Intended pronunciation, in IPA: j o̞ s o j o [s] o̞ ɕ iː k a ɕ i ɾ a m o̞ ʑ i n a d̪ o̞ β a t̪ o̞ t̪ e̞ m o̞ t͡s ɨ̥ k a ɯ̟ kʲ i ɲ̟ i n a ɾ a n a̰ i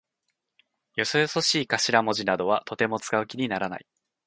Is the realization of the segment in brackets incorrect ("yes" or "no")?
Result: no